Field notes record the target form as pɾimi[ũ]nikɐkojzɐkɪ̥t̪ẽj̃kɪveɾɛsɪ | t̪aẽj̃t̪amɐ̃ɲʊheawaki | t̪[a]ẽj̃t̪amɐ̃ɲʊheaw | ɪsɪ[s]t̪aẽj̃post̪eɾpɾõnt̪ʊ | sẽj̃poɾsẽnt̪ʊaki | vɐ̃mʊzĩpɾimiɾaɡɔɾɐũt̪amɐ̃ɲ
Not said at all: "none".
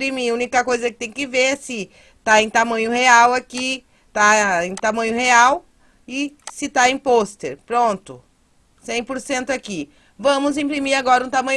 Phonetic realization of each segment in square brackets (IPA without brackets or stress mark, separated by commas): ũ, a, none